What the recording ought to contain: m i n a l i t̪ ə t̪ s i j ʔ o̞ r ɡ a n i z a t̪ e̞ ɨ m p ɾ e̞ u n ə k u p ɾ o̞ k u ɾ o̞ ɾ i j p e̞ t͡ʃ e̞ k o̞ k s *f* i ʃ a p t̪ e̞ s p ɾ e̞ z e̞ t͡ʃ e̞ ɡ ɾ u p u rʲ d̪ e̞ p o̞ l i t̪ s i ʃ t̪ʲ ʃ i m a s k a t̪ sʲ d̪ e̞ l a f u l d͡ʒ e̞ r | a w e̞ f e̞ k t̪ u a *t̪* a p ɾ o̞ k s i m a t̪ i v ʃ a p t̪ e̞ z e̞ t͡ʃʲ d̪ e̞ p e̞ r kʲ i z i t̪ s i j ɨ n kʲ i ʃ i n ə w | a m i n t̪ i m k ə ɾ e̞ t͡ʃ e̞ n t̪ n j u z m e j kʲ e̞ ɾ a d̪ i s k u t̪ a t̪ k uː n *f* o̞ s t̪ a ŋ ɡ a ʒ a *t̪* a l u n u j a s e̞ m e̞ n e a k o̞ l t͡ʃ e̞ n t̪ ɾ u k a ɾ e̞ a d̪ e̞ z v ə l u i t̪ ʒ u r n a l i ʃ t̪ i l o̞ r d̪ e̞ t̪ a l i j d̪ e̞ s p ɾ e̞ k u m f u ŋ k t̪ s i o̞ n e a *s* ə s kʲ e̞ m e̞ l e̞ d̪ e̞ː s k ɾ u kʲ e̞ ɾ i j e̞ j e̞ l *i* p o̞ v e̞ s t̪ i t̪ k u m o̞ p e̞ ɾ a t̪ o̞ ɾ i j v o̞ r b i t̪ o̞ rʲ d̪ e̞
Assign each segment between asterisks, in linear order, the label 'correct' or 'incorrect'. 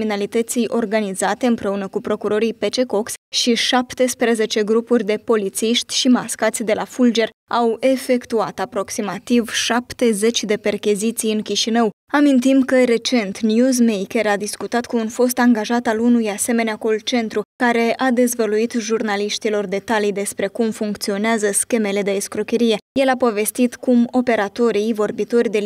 incorrect, correct, correct, correct, incorrect, incorrect

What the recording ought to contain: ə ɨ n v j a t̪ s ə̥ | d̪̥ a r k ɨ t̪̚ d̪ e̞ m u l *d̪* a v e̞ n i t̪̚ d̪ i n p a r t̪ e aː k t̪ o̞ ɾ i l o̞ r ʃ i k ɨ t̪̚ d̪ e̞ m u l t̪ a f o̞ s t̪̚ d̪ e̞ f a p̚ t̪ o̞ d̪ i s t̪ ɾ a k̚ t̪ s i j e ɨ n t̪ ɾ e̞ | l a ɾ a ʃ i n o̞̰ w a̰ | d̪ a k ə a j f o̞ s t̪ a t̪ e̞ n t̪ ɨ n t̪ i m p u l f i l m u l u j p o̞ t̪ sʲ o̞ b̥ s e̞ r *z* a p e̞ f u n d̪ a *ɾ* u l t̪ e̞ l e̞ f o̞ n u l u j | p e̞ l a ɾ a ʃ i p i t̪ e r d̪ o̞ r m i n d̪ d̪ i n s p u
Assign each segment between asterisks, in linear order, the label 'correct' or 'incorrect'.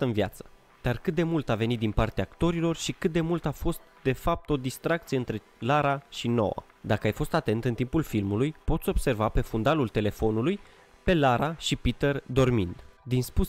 incorrect, incorrect, incorrect

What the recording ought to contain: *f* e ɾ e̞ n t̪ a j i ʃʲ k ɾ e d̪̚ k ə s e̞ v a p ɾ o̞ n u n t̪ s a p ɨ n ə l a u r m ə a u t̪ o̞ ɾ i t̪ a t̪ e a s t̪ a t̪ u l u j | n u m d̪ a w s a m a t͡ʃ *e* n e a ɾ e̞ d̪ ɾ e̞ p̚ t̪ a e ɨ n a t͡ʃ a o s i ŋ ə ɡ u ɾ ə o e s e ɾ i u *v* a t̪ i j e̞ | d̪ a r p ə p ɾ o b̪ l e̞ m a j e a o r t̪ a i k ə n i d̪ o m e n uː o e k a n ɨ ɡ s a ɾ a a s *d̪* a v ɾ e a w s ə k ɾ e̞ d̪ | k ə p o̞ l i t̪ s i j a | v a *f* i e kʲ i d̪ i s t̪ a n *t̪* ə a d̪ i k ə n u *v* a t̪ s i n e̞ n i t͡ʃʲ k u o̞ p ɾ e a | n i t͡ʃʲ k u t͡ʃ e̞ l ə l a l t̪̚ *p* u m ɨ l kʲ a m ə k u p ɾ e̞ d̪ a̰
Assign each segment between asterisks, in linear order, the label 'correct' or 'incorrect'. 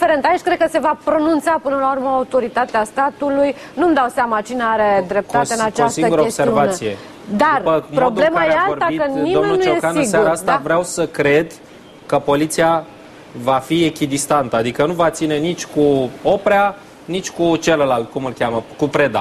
correct, incorrect, correct, incorrect, correct, correct, correct, incorrect

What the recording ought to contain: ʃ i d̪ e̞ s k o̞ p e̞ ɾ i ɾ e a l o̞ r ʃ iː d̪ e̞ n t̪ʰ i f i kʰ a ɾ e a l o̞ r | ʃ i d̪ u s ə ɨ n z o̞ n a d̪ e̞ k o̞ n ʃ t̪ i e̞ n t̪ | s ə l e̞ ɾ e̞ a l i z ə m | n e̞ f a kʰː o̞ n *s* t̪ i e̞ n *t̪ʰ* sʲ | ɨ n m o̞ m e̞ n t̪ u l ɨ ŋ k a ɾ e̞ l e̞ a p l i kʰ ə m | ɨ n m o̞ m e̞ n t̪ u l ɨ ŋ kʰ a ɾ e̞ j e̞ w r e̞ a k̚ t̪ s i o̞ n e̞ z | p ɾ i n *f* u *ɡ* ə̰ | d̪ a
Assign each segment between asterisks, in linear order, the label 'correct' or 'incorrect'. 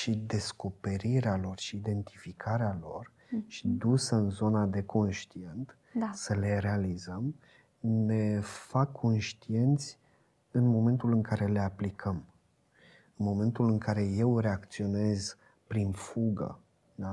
incorrect, incorrect, correct, correct

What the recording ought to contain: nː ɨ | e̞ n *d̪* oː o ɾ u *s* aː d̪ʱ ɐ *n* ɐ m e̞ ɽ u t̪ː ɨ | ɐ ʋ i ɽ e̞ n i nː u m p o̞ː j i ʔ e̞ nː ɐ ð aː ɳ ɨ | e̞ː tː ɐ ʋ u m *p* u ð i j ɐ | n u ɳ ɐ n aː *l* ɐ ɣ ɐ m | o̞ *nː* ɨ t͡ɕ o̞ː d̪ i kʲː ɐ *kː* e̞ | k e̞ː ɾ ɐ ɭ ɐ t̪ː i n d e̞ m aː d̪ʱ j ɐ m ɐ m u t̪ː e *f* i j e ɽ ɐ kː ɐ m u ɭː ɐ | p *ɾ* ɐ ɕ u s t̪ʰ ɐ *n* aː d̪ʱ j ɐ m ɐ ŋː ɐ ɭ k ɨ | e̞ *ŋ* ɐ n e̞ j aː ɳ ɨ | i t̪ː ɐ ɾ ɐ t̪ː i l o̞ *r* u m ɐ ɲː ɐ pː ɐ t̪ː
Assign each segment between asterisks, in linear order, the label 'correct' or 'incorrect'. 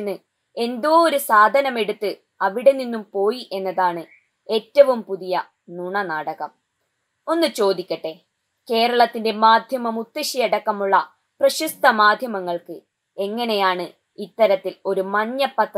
correct, correct, correct, correct, incorrect, correct, incorrect, incorrect, incorrect, incorrect, incorrect, incorrect

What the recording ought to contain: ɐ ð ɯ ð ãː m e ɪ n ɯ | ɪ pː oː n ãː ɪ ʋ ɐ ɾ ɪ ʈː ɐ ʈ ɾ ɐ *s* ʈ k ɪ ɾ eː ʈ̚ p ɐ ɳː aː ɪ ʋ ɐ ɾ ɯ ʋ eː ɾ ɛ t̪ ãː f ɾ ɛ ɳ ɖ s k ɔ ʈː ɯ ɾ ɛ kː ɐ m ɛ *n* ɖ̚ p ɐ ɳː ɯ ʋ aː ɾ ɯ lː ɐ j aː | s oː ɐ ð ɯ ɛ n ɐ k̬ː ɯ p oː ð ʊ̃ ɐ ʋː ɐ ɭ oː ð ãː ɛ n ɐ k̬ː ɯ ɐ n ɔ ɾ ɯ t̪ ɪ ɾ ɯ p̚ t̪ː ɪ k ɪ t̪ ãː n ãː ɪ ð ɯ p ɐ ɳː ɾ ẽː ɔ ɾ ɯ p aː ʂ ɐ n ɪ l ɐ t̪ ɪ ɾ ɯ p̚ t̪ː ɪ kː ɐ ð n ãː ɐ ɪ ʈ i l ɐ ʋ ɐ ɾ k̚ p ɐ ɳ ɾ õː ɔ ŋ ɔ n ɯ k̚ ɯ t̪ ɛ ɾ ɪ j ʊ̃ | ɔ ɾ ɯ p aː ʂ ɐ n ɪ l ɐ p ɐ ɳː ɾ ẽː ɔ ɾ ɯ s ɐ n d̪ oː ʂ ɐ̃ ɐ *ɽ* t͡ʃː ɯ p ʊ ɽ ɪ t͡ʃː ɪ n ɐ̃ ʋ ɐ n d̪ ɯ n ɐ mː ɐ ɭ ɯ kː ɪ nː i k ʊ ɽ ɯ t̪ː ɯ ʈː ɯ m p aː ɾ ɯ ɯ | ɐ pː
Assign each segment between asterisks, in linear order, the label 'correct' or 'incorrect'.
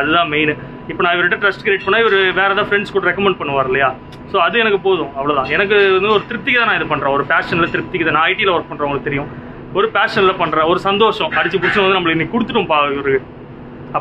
correct, incorrect, correct

